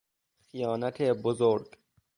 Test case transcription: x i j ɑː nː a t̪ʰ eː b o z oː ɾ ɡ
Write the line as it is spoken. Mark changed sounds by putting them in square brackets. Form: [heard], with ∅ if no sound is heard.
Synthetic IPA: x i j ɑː [n] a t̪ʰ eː b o z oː ɾ ɡ